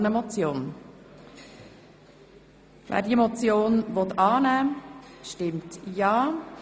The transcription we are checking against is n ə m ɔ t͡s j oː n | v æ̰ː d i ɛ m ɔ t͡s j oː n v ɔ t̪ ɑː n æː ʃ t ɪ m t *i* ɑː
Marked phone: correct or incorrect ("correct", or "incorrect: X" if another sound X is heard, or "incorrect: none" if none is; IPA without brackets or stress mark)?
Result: incorrect: j